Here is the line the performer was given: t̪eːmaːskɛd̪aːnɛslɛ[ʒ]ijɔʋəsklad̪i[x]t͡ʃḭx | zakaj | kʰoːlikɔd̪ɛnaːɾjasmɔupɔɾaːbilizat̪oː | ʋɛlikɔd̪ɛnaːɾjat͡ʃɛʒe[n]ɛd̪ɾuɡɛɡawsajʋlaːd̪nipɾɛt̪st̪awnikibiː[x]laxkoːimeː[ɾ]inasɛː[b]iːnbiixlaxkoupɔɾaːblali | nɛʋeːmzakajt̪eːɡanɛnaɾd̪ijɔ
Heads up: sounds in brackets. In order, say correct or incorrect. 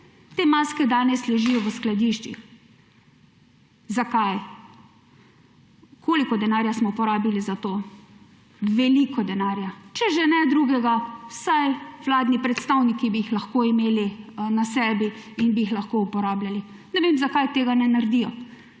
correct, incorrect: ʃ, correct, correct, incorrect: l, correct

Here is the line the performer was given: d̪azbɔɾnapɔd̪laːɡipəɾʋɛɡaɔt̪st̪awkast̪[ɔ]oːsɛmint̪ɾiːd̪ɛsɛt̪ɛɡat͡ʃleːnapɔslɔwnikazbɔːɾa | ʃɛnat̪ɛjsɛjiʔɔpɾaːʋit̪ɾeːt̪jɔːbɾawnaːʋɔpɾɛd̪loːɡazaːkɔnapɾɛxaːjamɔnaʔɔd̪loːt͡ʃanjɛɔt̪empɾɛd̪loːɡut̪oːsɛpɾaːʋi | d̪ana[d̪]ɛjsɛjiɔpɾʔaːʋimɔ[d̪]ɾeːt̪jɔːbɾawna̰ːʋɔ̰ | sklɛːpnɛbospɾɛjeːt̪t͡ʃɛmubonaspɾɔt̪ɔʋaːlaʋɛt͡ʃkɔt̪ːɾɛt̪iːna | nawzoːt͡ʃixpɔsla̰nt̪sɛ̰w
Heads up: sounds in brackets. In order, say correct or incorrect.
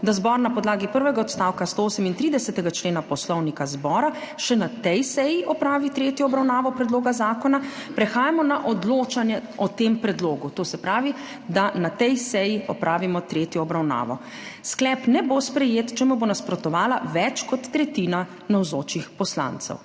incorrect: o, incorrect: t̪, incorrect: t̪

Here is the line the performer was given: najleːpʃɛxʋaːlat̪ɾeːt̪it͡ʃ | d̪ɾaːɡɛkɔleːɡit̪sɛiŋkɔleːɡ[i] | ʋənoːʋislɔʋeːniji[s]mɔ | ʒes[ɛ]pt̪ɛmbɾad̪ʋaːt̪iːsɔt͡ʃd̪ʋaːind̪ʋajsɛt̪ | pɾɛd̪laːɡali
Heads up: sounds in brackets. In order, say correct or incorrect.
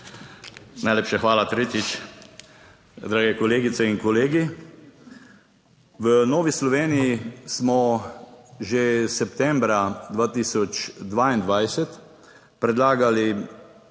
correct, correct, correct

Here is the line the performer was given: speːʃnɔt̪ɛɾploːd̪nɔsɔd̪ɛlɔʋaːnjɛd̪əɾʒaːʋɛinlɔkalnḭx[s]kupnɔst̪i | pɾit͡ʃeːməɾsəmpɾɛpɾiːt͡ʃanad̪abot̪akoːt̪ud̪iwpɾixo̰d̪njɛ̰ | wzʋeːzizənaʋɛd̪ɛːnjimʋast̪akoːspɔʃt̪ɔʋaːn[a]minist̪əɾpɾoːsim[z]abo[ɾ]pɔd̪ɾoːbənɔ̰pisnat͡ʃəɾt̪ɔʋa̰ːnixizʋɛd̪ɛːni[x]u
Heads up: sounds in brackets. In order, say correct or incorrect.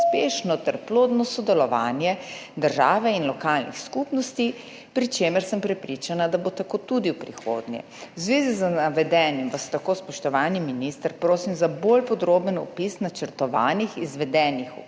correct, incorrect: i, correct, incorrect: l, correct

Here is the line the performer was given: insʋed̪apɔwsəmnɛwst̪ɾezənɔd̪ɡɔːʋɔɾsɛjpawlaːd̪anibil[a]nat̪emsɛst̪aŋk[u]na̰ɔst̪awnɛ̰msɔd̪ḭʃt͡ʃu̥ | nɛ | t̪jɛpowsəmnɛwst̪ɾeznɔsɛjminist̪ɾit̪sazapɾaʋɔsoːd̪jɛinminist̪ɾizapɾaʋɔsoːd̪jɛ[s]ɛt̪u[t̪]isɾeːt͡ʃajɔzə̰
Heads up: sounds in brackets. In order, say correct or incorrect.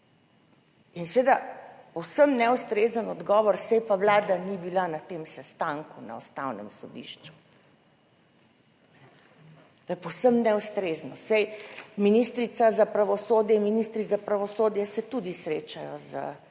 correct, correct, correct, incorrect: d̪

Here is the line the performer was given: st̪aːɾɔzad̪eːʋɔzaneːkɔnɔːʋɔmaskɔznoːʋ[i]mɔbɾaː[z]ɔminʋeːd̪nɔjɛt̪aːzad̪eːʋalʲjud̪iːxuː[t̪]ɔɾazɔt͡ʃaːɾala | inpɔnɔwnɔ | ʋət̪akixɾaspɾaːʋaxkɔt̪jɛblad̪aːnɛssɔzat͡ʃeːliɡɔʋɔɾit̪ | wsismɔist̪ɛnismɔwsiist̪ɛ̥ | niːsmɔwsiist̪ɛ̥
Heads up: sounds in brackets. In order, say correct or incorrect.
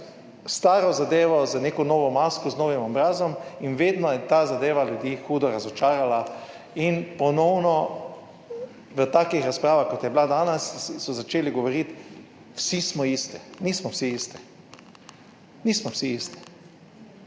correct, correct, incorrect: d̪

